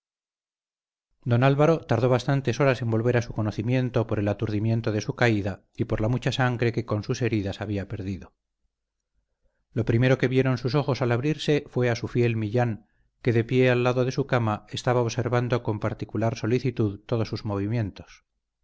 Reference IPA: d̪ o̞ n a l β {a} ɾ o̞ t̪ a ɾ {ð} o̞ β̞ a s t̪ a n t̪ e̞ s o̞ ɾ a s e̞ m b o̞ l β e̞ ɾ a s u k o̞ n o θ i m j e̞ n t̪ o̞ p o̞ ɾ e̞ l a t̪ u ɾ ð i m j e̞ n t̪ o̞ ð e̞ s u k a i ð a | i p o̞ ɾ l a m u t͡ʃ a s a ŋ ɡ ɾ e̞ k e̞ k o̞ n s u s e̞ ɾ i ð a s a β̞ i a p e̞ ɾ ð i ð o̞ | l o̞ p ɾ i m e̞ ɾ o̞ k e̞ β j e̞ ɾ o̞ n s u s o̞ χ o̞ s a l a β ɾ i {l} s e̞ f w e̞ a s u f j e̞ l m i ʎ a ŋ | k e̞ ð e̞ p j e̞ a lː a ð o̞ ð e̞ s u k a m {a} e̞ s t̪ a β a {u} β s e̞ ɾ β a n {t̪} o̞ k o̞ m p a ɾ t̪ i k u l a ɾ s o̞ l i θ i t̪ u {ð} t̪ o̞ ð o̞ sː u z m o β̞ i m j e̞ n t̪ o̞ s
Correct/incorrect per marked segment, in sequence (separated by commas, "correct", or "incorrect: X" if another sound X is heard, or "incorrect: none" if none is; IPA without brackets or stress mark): correct, correct, incorrect: ɾ, correct, incorrect: o, incorrect: d̪, correct